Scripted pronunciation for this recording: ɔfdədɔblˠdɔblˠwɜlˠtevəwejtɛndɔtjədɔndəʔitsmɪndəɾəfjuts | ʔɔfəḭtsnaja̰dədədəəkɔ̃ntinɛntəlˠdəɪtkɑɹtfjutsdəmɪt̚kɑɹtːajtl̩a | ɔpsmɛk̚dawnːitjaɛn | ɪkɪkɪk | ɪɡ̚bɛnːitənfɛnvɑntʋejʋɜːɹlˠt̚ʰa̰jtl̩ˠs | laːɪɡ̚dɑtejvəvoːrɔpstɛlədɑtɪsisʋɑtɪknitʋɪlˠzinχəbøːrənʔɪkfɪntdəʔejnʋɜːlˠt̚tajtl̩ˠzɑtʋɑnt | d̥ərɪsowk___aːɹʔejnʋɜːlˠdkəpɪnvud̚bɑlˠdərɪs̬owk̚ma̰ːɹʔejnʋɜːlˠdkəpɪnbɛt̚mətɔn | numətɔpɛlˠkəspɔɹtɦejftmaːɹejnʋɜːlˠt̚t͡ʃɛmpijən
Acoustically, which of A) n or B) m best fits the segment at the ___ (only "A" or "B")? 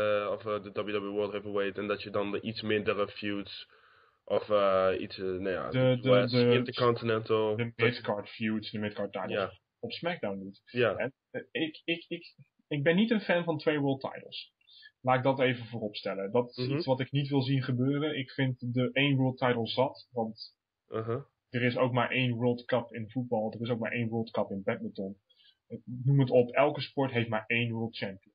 B